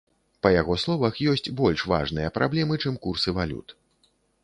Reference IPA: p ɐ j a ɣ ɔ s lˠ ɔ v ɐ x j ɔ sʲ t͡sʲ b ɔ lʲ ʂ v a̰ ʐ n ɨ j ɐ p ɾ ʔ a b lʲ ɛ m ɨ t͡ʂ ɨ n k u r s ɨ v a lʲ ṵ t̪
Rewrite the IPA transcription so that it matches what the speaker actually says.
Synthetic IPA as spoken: p ɐ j a ɣ ɔ s lˠ ɔ v ɐ x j ɔ sʲ t͡sʲ b ɔ lʲ ʂ v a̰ ʐ n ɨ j ɐ p ɾ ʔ a b lʲ ɛ m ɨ t͡ʂ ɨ m k u r s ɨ v a lʲ ṵ t̪